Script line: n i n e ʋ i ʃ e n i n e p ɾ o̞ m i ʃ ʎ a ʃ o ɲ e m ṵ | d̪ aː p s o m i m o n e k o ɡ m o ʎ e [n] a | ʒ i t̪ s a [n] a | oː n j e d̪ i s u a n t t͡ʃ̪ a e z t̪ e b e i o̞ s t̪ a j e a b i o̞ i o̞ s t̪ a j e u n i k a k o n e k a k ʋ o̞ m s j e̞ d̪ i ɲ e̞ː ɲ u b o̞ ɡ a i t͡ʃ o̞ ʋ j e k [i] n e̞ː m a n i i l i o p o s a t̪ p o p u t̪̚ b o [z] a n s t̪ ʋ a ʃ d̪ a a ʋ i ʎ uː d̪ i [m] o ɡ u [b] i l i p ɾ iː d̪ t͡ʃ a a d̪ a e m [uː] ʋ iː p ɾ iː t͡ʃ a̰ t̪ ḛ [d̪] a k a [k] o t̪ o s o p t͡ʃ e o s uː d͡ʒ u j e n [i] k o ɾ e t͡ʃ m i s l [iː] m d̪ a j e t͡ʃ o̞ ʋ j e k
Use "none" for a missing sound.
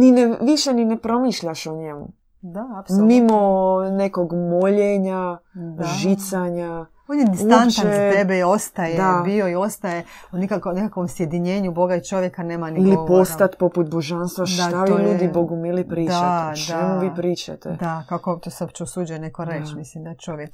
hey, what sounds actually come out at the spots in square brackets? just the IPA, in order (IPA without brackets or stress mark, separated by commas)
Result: ɲ, ɲ, a, ʒ, b, m, u, d̪, k, e, i